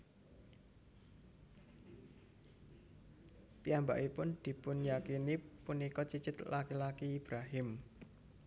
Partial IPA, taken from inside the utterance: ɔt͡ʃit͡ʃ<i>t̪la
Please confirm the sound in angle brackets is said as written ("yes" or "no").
no